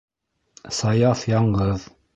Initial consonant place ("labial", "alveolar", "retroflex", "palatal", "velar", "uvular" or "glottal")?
alveolar